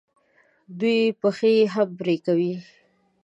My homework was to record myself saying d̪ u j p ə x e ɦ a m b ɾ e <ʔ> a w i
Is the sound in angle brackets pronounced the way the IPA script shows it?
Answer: no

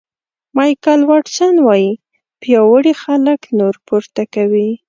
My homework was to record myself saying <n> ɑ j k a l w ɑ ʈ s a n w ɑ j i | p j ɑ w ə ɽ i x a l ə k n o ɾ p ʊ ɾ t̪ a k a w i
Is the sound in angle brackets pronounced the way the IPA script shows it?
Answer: no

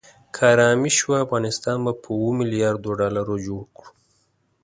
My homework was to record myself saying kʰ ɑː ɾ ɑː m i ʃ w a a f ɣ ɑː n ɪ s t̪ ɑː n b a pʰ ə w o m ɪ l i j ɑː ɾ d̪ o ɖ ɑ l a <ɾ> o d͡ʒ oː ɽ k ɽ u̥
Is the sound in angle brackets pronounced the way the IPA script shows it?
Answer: yes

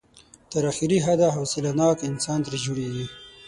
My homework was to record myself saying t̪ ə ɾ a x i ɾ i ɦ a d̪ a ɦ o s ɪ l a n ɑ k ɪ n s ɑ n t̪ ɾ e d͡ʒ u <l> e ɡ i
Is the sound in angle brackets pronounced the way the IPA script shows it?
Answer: no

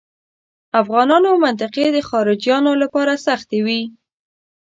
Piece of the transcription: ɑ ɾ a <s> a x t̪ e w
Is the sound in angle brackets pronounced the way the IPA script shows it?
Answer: yes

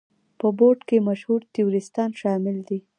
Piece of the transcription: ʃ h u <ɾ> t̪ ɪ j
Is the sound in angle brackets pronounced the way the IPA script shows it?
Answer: yes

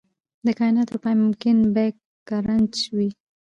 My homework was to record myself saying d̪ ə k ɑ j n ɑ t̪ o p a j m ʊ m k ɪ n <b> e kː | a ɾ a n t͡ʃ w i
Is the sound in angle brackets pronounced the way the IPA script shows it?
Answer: yes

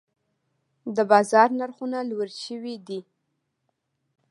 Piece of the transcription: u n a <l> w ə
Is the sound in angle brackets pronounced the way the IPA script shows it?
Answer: yes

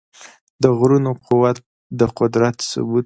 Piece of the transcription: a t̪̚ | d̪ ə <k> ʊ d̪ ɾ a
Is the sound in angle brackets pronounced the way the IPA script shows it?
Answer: no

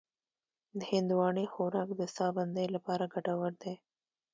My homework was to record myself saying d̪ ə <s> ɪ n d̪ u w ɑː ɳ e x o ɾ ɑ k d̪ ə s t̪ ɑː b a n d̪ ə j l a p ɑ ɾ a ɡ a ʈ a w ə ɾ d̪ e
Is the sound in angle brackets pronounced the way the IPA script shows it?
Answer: no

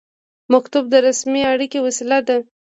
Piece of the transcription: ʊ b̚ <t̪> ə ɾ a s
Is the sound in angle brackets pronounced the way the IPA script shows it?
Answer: no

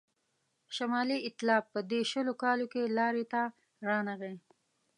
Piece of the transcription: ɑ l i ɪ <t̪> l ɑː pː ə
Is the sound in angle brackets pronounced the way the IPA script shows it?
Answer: yes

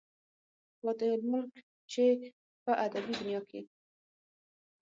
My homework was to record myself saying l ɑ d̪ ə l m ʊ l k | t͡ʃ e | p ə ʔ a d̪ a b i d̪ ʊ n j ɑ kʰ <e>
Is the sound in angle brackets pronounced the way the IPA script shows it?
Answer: yes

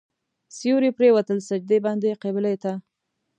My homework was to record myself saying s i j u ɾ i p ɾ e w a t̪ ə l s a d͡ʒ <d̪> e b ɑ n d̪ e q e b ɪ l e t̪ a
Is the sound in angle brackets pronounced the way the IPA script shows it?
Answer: yes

